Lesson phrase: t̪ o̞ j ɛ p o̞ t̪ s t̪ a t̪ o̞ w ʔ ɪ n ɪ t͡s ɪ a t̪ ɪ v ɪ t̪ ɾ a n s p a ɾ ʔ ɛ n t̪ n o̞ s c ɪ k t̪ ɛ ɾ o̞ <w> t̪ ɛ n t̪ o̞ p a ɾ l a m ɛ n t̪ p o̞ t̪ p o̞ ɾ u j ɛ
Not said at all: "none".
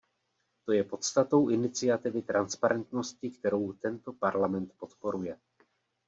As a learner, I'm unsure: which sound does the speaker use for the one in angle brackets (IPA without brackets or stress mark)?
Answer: w